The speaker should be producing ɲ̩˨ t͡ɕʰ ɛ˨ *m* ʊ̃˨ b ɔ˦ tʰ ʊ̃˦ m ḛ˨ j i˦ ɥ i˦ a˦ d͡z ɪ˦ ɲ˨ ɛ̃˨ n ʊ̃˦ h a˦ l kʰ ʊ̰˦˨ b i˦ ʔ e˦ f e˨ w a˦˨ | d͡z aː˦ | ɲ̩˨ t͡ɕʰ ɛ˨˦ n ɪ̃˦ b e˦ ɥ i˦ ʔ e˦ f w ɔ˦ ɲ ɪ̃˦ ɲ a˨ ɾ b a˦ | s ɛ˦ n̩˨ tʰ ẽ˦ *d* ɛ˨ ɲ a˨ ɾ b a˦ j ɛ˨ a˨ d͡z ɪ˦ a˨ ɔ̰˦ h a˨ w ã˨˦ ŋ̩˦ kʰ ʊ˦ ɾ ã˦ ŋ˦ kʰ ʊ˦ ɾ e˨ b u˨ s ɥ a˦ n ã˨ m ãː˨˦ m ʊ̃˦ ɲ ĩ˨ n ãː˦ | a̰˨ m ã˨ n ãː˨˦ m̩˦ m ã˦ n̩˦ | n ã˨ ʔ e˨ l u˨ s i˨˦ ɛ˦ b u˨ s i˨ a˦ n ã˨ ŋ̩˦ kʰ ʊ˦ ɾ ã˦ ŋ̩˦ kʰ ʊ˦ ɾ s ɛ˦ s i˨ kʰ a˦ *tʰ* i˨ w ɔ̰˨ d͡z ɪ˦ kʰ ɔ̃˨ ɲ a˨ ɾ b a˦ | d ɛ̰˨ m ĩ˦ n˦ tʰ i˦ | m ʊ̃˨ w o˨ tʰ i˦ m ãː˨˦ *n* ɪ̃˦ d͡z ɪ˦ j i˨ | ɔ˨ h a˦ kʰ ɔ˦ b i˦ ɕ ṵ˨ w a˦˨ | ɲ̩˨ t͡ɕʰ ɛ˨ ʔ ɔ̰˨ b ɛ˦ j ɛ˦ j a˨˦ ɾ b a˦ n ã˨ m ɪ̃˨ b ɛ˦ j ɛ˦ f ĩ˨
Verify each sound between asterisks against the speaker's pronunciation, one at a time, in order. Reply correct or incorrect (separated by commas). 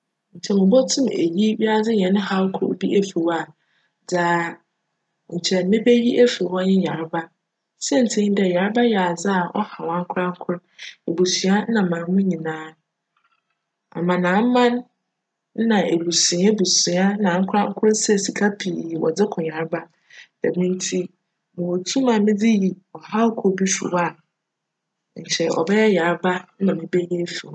correct, correct, incorrect, incorrect